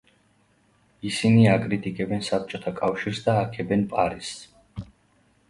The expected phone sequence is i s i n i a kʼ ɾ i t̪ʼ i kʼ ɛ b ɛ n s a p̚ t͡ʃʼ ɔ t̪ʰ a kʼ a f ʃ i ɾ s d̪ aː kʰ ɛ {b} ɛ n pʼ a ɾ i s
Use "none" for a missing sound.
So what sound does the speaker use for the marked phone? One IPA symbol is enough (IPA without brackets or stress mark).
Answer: b